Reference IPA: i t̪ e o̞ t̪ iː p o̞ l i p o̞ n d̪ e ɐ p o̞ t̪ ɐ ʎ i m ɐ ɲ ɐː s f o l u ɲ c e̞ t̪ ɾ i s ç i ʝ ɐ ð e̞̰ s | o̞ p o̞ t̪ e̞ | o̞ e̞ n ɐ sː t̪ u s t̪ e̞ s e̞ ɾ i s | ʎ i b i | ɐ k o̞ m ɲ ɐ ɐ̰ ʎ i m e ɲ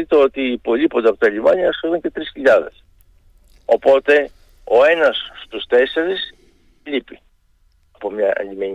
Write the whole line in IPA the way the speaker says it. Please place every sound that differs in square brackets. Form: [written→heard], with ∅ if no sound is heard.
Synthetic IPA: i t̪ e o̞ t̪ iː p o̞ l i p o̞ n d̪ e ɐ p o̞ t̪ ɐ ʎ i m ɐ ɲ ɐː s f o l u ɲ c e̞ t̪ ɾ i s ç i [ʝ→ʎ] ɐ ð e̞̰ s | o̞ p o̞ t̪ e̞ | o̞ e̞ n ɐ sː t̪ u s t̪ e̞ s e̞ ɾ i s | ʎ i [b→p] i | ɐ [k→p] o̞ m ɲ ɐ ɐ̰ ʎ i m e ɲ